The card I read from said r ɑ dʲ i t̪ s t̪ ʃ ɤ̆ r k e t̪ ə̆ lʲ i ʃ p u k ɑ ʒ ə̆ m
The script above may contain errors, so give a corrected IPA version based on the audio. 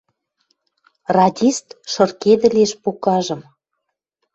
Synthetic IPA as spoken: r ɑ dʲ i s t̪ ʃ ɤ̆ r k e d̪ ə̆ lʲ e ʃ p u k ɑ ʒ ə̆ m